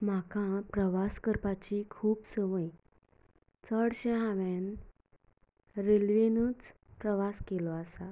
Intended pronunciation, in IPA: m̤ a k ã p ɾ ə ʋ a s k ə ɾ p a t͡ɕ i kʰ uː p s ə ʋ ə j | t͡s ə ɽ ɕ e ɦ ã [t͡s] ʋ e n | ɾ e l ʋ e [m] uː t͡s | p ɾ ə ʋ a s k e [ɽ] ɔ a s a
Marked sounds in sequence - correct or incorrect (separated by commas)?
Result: incorrect, incorrect, incorrect